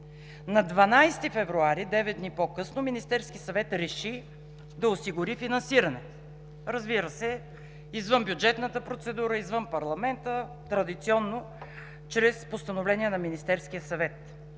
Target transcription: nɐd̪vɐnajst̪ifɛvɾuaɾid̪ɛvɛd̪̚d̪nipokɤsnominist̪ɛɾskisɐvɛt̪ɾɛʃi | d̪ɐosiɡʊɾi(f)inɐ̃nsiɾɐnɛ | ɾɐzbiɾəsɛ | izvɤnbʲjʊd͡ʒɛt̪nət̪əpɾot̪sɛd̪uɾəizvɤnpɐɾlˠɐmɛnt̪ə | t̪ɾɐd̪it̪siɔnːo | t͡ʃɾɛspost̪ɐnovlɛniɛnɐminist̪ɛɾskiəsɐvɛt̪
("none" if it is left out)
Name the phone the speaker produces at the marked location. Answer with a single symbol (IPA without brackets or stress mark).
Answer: f